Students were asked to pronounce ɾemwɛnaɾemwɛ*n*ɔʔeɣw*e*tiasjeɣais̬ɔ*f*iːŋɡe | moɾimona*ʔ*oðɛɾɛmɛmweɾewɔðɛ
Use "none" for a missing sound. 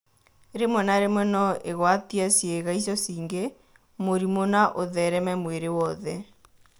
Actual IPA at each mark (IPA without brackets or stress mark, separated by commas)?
n, a, s, ʔ